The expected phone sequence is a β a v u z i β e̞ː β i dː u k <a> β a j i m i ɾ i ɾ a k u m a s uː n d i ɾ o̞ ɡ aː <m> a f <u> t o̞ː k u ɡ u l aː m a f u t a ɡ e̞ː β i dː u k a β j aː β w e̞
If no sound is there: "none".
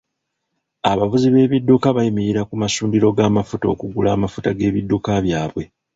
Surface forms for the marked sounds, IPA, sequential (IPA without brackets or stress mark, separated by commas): a, m, u